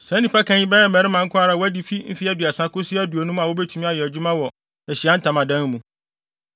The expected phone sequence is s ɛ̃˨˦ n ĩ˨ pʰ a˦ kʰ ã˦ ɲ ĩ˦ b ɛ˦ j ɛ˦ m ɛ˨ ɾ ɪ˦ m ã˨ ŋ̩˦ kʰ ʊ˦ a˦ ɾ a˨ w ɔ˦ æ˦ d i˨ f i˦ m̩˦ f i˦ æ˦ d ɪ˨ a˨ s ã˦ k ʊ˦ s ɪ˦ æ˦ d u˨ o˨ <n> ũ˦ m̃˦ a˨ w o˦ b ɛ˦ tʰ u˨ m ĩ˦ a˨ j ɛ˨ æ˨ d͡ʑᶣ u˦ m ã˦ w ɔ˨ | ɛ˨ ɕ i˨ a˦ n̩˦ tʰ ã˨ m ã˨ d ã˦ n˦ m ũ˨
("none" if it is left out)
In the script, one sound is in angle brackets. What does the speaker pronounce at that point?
n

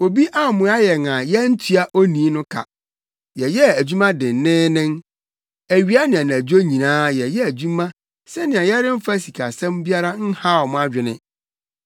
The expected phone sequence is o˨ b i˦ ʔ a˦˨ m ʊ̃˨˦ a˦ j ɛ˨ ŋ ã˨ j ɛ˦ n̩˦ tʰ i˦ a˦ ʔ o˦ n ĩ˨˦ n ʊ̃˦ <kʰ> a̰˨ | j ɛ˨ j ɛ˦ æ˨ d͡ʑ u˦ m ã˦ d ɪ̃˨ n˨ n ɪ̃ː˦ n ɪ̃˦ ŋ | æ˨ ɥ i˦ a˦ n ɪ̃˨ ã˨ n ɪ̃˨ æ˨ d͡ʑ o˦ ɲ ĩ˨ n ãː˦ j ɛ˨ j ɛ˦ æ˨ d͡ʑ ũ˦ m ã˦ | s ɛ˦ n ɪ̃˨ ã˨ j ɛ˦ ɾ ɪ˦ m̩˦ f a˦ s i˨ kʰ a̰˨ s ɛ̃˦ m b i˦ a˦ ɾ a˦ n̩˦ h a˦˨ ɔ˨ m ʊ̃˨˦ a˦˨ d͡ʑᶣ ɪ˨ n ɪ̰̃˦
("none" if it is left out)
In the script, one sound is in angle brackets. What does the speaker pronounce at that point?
kʰ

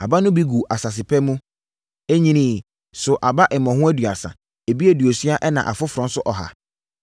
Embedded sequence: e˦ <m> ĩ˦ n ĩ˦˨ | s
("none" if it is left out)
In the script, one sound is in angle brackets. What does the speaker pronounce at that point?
ɲ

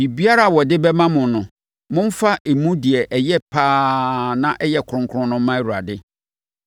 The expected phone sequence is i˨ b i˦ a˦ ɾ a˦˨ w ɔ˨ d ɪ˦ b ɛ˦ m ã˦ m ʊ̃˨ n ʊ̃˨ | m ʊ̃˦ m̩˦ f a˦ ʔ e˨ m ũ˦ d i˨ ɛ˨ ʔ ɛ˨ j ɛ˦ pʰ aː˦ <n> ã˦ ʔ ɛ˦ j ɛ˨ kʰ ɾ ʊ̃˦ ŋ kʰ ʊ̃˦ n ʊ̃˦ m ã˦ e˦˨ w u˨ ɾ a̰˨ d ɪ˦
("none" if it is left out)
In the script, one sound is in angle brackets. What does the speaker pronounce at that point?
n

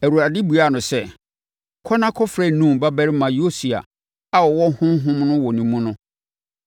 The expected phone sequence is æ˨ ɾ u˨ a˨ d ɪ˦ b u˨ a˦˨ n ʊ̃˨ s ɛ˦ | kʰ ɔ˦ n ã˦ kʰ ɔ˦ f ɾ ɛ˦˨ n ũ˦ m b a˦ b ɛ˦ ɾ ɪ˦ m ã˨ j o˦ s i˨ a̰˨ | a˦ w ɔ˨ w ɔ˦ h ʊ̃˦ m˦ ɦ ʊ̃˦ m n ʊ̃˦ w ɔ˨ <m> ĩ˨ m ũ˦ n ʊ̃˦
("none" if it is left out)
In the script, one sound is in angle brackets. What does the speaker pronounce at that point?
n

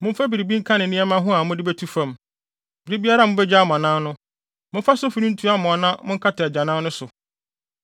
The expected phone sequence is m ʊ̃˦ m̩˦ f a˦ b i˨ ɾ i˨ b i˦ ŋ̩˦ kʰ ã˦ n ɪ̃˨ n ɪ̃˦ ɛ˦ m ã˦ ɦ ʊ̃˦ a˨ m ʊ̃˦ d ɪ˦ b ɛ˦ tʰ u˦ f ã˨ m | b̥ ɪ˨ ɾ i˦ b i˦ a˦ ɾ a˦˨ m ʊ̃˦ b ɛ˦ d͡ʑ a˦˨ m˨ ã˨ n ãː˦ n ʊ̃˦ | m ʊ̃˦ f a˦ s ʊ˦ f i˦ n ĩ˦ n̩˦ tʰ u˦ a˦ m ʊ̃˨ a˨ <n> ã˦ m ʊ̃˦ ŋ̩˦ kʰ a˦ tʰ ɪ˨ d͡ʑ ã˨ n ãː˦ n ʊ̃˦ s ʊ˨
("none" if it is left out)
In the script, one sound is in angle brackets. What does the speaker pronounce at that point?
n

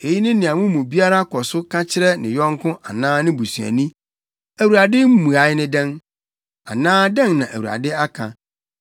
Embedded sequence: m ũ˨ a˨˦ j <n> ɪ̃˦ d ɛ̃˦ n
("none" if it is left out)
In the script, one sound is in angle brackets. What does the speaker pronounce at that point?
n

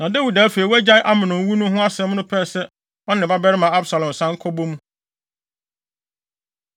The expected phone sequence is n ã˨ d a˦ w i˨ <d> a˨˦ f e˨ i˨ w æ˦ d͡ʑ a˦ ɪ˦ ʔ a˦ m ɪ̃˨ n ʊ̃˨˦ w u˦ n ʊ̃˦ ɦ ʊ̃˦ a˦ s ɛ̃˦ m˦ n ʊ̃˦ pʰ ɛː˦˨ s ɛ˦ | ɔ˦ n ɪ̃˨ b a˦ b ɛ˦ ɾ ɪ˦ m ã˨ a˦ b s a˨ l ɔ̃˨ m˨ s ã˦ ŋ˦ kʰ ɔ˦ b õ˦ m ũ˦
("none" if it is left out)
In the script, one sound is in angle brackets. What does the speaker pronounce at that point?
d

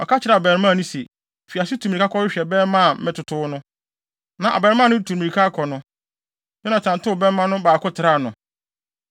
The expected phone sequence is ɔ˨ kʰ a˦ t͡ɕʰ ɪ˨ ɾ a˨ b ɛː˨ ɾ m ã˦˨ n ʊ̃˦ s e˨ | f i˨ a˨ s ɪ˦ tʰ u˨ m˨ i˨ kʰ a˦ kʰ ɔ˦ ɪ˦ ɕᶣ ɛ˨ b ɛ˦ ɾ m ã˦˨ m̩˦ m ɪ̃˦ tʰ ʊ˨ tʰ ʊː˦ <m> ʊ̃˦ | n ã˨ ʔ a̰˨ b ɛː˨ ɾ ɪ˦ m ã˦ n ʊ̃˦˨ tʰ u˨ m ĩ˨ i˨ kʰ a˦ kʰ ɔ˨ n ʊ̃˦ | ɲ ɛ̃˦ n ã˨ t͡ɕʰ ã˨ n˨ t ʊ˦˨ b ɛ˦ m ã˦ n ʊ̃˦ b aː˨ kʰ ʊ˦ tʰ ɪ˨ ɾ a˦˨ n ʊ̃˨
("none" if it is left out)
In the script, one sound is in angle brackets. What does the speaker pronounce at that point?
n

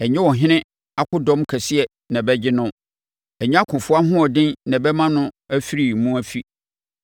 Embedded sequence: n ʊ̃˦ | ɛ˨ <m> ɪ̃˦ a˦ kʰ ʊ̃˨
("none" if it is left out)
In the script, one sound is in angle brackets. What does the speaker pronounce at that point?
ɲ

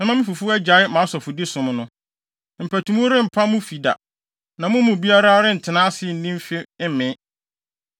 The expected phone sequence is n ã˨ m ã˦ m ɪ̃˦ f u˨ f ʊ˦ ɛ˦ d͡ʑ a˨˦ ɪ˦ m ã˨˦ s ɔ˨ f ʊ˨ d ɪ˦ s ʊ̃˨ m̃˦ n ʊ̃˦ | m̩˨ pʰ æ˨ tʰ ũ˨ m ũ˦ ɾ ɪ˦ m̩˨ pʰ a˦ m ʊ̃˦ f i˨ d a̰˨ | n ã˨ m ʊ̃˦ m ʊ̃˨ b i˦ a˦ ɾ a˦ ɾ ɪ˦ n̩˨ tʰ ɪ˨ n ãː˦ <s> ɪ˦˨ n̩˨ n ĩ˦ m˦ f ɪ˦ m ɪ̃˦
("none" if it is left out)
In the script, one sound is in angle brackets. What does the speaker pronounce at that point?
s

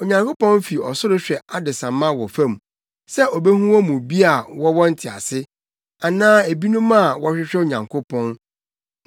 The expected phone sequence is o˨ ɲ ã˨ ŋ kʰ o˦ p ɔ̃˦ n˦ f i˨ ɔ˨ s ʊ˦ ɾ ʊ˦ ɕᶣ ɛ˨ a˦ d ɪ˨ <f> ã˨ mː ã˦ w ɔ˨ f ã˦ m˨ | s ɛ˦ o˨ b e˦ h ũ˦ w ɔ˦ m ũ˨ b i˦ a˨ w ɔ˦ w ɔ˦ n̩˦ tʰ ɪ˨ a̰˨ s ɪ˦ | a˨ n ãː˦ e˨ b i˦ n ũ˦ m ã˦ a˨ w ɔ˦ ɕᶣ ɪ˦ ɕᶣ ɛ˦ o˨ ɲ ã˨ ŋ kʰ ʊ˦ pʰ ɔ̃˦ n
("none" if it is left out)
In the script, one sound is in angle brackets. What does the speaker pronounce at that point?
s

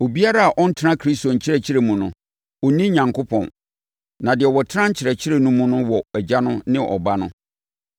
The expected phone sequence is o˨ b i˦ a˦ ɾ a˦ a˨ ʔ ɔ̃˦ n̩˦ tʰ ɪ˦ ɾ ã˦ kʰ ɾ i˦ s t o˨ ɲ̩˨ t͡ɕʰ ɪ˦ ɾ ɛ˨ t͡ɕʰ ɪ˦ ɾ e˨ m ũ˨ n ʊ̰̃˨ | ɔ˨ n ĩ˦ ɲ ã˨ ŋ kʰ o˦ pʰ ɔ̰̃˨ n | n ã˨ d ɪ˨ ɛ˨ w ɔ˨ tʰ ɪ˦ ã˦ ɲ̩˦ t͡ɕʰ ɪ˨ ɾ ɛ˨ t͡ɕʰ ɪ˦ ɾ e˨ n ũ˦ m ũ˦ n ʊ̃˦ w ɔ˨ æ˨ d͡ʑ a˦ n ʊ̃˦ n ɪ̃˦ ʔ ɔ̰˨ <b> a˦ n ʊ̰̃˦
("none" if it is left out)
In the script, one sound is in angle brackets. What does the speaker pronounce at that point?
b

